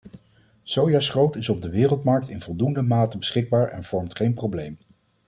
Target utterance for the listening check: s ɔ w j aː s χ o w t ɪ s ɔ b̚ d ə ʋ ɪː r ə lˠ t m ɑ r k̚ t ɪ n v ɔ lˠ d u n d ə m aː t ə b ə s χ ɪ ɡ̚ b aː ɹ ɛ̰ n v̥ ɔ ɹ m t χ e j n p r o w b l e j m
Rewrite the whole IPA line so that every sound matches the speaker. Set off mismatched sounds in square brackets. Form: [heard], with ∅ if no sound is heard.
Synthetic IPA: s [o] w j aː s χ o w t ɪ s ɔ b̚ d ə ʋ ɪː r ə lˠ t m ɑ [ɹ] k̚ t ɪ n v ɔ lˠ d u n d ə m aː t ə b ə s χ ɪ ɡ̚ b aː ɹ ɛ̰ n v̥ ɔ ɹ m t χ e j n p r o w b l e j m